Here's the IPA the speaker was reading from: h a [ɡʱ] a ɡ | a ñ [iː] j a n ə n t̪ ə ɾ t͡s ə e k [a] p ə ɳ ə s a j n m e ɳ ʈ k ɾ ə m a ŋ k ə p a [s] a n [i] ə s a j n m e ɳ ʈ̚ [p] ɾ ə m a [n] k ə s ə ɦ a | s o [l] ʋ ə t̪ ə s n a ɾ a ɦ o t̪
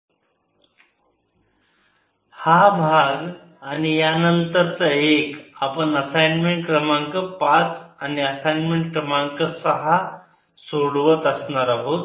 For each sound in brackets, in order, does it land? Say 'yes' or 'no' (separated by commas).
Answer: no, no, yes, no, yes, no, no, no